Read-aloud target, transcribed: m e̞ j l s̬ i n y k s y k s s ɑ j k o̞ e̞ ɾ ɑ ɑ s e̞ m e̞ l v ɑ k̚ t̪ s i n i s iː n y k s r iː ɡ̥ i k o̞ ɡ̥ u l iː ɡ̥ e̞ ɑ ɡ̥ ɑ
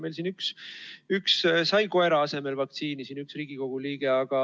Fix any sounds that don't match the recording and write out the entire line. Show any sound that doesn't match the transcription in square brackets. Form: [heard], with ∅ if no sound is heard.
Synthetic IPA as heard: m e̞ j l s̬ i n y k s y k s s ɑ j k o̞ e̞ ɾ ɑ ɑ s e̞ m e̞ l v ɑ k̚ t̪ s [iː] n i s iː n y k s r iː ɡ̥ i k o̞ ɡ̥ u l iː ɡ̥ e̞ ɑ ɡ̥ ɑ

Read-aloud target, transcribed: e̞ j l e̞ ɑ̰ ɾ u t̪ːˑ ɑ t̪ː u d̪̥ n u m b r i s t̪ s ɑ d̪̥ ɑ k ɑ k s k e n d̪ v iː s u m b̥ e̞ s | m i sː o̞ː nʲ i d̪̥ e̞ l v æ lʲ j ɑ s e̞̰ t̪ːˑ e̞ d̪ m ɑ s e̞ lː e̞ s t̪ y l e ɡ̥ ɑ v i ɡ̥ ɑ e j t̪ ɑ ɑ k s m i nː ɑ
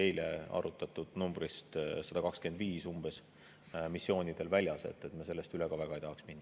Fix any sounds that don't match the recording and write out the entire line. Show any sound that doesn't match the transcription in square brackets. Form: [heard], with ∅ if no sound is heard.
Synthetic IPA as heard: e̞ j l e̞ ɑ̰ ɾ u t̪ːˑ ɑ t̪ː u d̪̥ n u m b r i s t̪ s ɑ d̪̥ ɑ k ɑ k s k e n d̪ v iː s u m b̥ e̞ s | m i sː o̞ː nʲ i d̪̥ e̞ l v æ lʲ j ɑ s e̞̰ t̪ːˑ e̞ [t̪] m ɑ s e̞ lː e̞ s t̪ y l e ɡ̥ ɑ v [æ] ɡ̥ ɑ e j t̪ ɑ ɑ k s m i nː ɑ

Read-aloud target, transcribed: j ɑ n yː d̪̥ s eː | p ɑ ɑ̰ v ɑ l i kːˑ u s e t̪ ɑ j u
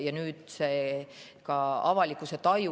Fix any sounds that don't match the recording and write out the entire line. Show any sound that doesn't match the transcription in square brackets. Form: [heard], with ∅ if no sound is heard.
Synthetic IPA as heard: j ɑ n yː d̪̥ s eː | [k] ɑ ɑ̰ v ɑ l i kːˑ u s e t̪ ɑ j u

